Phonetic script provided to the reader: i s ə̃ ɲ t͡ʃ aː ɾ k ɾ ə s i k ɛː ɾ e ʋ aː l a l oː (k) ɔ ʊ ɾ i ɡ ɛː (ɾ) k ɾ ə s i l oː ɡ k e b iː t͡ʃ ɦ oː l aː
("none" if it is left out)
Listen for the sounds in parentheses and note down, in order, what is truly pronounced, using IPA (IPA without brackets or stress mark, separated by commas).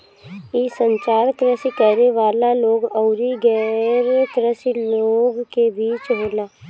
ɡ, ɾ